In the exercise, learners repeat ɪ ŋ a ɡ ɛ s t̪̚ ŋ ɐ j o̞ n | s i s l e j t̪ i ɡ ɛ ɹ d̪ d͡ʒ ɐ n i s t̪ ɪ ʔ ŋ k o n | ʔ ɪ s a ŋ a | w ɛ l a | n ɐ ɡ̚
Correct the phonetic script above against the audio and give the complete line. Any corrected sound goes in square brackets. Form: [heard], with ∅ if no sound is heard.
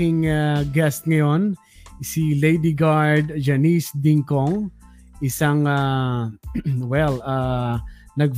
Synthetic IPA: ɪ ŋ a ɡ ɛ s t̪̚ ŋ ɐ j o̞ n | s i [∅] l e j [d̪] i ɡ [a] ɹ d̪ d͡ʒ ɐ n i s [d̪] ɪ [∅] ŋ k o [ŋ] | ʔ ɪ s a ŋ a | w ɛ l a | n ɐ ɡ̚